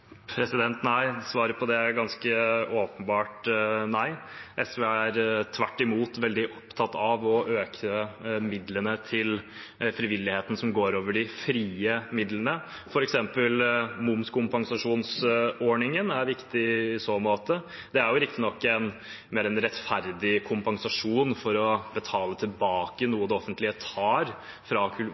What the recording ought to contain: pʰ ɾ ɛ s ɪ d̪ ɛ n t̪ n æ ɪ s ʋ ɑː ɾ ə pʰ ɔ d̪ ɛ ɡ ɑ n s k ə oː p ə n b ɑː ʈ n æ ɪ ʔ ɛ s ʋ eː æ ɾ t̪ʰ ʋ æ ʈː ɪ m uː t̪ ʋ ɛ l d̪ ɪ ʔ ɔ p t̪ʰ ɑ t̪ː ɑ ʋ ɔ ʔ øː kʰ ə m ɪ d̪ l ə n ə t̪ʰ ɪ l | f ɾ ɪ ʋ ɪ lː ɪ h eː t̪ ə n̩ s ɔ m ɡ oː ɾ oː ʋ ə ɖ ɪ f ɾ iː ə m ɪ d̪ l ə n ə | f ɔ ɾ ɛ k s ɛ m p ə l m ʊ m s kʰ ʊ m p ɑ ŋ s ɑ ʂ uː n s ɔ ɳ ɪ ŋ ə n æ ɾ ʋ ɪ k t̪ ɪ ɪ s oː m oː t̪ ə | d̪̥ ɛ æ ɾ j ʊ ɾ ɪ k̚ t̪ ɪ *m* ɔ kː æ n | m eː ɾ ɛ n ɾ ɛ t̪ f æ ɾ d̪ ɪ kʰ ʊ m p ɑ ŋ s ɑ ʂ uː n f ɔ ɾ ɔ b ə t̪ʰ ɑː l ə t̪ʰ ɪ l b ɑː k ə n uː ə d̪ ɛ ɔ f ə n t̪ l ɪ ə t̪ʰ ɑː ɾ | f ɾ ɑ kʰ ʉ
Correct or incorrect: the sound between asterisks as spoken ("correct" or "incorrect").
incorrect